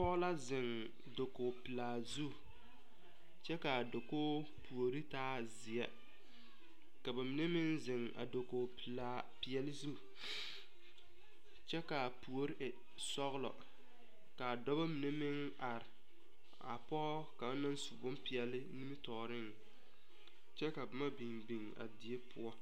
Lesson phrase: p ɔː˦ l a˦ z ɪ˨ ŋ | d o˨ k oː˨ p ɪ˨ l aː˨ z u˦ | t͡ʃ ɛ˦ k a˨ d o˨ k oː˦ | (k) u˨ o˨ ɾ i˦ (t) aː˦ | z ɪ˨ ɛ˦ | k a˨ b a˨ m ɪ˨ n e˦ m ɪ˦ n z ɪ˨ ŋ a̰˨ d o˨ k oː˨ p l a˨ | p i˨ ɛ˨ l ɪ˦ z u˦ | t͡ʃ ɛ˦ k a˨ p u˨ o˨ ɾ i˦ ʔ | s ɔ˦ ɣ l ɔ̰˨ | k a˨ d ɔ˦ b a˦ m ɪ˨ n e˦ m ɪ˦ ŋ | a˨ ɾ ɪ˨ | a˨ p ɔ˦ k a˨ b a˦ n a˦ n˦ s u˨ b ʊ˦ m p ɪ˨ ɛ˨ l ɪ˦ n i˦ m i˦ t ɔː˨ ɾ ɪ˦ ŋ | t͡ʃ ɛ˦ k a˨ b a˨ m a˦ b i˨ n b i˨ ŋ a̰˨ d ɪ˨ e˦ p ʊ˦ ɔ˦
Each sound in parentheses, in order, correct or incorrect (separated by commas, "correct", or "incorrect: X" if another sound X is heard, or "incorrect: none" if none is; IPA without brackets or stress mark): incorrect: p, correct